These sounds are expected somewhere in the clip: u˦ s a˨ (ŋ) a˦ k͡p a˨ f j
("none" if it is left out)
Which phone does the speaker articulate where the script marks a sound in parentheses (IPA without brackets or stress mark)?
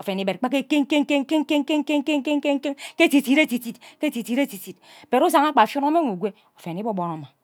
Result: ŋ